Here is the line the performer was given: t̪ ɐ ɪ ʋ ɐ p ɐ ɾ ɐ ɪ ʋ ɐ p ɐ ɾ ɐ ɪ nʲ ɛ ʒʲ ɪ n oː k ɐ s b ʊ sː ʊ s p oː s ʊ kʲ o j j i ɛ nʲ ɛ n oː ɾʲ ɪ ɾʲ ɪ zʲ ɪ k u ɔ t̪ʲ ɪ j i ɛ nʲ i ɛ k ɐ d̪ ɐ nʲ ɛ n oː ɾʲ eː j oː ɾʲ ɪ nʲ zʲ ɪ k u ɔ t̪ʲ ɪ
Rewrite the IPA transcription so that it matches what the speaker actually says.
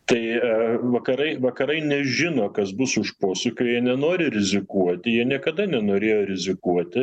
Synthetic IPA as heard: t̪ ɐ ɪ ʋ ɐ k ɐ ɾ ɐ ɪ ʋ ɐ k ɐ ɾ ɐ ɪ nʲ ɛ ʒʲ ɪ n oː k ɐ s b ʊ s ʊ ʃ p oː s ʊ kʲ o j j i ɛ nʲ ɛ n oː ɾʲ ɪ ɾʲ ɪ zʲ ɪ k u ɔ t̪ʲ ɪ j i ɛ nʲ i ɛ k ɐ d̪ ɐ nʲ ɛ n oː ɾʲ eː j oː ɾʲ ɪ zʲ ɪ k u ɔ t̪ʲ ɪ

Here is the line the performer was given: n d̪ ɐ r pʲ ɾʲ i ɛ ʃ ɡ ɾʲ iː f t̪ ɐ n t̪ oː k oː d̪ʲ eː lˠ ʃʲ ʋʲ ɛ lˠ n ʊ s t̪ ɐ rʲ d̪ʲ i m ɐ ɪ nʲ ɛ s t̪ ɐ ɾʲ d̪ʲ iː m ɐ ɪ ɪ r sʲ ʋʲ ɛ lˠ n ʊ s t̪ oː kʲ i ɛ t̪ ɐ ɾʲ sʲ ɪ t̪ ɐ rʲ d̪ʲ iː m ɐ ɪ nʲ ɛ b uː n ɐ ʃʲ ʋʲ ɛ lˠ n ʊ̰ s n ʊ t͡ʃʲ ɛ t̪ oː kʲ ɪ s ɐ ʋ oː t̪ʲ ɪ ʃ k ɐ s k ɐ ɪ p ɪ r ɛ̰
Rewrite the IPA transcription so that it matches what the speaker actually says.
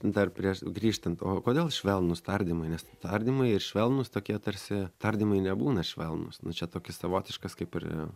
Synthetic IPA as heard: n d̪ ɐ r pʲ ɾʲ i ɛ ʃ ɡ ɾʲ iː ʃ t̪ ɐ n t̪ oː k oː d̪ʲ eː lˠ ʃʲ ʋʲ ɛ lˠ n ʊ s t̪ ɐ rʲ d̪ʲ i m ɐ ɪ nʲ ɛ s t̪ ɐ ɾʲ d̪ʲ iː m ɐ ɪ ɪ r ʃʲ ʋʲ ɛ lˠ n ʊ s t̪ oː kʲ i ɛ t̪ ɐ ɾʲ sʲ ɪ t̪ ɐ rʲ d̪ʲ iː m ɐ ɪ nʲ ɛ b uː n ɐ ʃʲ ʋʲ ɛ lˠ n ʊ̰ s n ʊ t͡ʃʲ ɛ t̪ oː kʲ ɪ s ɐ ʋ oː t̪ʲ ɪ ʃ k ɐ s k ɐ ɪ p ɪ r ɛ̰

